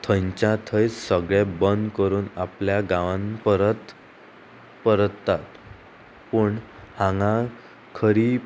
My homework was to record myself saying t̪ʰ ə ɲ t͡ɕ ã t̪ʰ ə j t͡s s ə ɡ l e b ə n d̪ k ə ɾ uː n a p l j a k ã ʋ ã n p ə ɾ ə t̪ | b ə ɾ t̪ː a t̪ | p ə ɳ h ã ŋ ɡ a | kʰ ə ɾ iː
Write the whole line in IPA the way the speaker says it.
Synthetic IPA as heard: t̪ʰ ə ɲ t͡ɕ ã t̪ʰ ə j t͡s s ə ɡ ɭ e b ə n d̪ k ə ɾ uː n a p l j a ɡ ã ʋ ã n p ə ɾ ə t̪ | p ə ɾ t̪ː a t̪ | p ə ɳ h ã ŋ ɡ a | kʰ ə ɾ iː

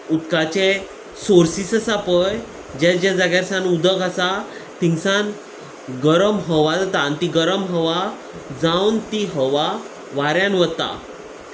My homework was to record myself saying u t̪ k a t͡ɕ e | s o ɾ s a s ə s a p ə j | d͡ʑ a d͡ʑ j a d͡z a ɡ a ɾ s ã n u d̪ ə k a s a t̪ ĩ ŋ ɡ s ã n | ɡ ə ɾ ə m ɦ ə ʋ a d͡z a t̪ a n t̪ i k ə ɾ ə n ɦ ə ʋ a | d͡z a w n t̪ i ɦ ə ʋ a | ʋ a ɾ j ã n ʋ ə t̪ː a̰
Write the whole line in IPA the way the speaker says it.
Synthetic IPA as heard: u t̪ k a t͡ɕ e | s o ɾ s i s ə s a p ə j | d͡ʑ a d͡ʑ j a d͡z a ɡ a ɾ s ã n u d̪ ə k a s a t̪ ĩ ŋ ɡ s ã n | ɡ ə ɾ ə m ɦ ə ʋ a d͡z a t̪ a n t̪ i ɡ ə ɾ ə m ɦ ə ʋ a | d͡z a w n t̪ i ɦ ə ʋ a | ʋ a ɾ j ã n ʋ ə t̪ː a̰

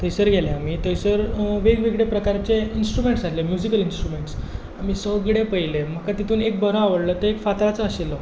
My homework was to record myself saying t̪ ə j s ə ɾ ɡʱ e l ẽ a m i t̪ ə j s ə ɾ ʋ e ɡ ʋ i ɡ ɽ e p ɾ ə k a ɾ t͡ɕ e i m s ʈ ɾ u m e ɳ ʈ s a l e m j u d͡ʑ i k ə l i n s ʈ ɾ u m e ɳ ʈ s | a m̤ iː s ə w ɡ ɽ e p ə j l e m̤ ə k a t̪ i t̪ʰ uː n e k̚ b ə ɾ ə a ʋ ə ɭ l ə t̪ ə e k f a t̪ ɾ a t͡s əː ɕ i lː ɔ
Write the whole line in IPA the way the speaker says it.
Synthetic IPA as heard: t̪ ə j s ə ɾ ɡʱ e l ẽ a m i t̪ ə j s ə ɾ ʋ e ɡ ʋ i ɡ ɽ e p ɾ ə k a ɾ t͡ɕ e i n s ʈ ɾ u m e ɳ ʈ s a l e m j u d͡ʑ i k ə l i n s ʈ ɾ u m e ɳ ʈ s | a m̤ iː s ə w ɡ ɽ e p ə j l e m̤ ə k a t̪ i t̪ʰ uː n e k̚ b ə ɾ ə a ʋ ə ɽ l ə t̪ ə e k f a t̪ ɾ a t͡s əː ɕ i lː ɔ

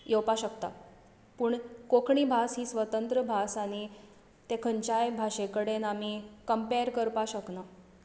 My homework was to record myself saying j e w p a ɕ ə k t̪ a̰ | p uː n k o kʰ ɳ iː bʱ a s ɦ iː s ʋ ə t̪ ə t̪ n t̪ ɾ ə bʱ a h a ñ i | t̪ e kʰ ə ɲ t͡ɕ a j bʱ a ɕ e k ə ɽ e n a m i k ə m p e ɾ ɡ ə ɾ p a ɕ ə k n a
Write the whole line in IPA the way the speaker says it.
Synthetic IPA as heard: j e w p a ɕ ə k t̪ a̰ | p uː ɳ k o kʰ ɳ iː bʱ a s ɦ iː s ʋ ə t̪ ə n t̪ ɾ ə bʱ a s a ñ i | t̪ e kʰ ə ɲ t͡ɕ a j bʱ a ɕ e k ə ɽ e n a m i k ə m p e ɾ k ə ɾ p a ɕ ə k n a

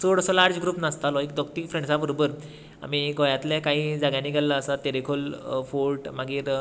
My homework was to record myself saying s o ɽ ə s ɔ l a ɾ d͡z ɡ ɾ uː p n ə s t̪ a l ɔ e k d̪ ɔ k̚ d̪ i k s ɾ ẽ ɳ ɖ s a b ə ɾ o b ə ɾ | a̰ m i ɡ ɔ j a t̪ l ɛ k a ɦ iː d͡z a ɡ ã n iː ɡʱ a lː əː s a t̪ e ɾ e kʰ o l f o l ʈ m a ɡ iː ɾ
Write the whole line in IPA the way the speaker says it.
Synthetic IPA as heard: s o ɽ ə s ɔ l a ɾ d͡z ɡ ɾ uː p n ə s t̪ a l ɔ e k d̪ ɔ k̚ t̪ i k f ɾ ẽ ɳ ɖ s a b ə ɾ o b ə ɾ | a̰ m i ɡ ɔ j a t̪ l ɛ k a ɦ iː d͡z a ɡ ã n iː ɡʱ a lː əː s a t̪ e ɾ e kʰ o l f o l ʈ m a ɡ iː ɾ

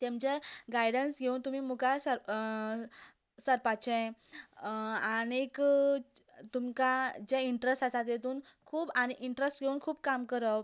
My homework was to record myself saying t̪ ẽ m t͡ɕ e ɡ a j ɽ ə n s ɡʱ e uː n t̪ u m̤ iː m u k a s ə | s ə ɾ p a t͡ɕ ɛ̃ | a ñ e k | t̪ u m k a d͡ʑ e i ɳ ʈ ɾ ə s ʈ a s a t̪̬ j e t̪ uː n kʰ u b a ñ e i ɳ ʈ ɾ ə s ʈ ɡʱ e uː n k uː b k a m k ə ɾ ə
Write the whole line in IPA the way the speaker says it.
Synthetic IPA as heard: t̪ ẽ m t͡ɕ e ɡ a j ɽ ə n s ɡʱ e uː n t̪ u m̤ iː m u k a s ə | s ə ɾ p a t͡ɕ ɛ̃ | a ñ e k | t̪ u m k a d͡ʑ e i ɳ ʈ ɾ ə s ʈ a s a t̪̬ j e t̪ uː n kʰ uː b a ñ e i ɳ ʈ ɾ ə s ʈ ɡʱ e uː n kʰ uː b k a m k ə ɾ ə

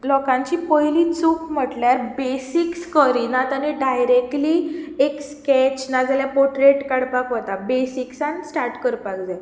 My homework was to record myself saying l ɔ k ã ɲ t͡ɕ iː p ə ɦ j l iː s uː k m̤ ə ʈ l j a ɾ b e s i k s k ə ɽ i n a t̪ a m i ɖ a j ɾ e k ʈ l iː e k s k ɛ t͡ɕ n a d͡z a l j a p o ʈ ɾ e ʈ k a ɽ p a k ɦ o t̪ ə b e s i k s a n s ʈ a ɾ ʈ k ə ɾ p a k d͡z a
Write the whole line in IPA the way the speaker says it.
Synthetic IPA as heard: l ɔ k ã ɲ t͡ɕ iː p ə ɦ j l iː t͡s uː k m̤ ə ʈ l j a ɾ b e s i k s k ə ɾ i n a t̪ a n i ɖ a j ɾ e k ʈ l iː e k s k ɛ t͡ɕ n a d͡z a l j a p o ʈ ɾ e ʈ k a ɽ p a k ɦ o t̪ a b e s i k s a n s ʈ a ɾ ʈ k ə ɾ p a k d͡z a

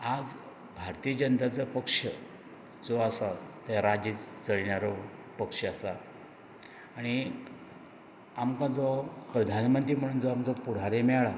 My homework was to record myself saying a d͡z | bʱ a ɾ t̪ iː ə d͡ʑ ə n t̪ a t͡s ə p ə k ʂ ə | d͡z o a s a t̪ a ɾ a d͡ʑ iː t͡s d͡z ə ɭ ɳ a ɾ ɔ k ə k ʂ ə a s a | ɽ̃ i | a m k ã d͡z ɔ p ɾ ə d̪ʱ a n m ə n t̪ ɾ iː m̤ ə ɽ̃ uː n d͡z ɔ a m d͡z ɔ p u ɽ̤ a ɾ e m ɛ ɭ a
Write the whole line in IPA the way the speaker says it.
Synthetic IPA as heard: a d͡z | bʱ a ɾ t̪ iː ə d͡ʑ ə n t̪ a t͡s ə p ə k ʂ ə | d͡z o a s a t̪ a ɾ a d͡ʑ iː t͡s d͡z ə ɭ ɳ a ɾ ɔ p ə k ʂ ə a s a | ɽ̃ i | a m k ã d͡z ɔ p ɾ ə d̪ʱ a n m ə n t̪ ɾ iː m̤ ə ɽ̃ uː n d͡z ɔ a m d͡z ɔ p u ɽ̤ a ɾ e m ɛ ɭ a

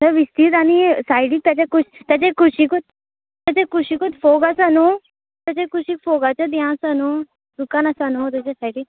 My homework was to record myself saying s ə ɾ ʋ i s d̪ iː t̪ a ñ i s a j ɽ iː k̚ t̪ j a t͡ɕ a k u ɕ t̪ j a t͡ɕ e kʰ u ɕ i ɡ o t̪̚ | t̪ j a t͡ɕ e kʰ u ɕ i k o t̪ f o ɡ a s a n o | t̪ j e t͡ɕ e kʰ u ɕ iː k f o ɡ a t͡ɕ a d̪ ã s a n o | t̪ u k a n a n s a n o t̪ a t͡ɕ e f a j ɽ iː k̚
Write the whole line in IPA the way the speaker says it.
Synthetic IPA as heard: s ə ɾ ʋ i s t̪ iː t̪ a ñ i s a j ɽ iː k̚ t̪ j a t͡ɕ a k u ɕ t̪ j a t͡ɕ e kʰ u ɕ i k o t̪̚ | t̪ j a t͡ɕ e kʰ u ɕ i k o t̪ f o ɡ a s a n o | t̪ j a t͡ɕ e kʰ u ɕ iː k f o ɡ a t͡ɕ a d̪ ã s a n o | d̪ u k a n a s a n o t̪ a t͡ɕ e s a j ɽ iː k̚

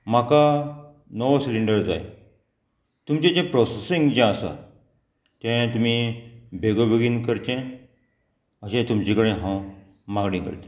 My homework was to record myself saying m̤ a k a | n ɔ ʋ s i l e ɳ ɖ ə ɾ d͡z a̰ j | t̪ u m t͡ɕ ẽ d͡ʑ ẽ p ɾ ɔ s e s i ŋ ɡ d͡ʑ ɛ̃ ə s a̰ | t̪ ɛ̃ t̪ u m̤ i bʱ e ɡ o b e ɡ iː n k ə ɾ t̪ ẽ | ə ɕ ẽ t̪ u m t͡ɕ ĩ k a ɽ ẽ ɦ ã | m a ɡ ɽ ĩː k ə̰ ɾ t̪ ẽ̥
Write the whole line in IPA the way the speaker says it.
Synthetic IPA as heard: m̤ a k a | n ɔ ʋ s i l i ɳ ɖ ə ɾ d͡z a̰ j | t̪ u m t͡ɕ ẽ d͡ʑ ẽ p ɾ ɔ s e s i ŋ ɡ d͡ʑ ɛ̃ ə s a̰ | t̪ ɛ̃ t̪ u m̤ i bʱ e ɡ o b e ɡ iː n k ə ɾ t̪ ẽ | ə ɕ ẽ t̪ u m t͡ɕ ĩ k ə ɽ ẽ ɦ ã | m a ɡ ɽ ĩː k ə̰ ɾ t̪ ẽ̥

